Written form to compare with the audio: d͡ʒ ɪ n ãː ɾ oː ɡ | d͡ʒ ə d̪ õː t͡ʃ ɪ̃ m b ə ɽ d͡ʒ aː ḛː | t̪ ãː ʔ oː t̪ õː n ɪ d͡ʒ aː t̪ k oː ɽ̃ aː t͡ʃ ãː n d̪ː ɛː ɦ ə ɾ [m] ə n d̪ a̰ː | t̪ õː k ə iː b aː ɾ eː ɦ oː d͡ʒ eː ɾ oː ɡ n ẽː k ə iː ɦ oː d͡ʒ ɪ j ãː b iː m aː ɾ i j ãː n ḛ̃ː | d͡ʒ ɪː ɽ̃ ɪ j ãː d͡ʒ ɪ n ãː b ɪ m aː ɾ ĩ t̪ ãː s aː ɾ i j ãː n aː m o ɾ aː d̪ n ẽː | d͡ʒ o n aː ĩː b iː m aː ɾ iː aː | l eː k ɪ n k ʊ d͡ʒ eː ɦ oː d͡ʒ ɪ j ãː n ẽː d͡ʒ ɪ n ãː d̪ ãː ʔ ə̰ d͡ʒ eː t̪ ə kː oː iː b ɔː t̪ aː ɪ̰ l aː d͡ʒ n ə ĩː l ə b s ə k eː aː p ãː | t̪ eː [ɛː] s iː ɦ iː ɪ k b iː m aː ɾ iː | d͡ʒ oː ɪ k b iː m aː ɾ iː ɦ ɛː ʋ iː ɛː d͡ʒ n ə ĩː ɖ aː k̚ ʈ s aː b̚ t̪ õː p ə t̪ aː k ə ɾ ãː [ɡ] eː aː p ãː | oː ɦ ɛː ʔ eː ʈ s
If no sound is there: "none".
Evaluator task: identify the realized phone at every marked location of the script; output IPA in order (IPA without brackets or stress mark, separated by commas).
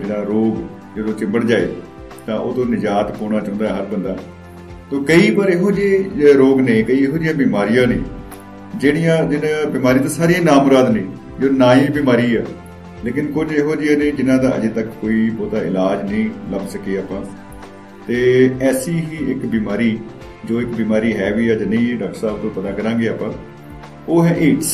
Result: b, ɛː, ɡ